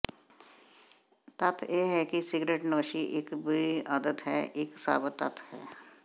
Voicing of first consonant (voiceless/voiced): voiceless